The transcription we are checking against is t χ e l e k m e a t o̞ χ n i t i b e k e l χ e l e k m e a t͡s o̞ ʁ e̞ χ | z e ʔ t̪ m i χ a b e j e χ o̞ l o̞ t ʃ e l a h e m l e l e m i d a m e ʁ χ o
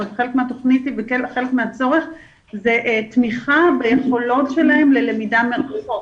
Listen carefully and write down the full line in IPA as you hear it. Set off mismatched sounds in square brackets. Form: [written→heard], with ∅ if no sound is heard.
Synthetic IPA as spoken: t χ e l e k m e a t o̞ χ n i t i [b→v] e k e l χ e l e k m e a t͡s o̞ ʁ e̞ χ | z e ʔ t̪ m i χ a b e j e χ o̞ l o̞ t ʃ e l a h e m l e l e m i d a m e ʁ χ o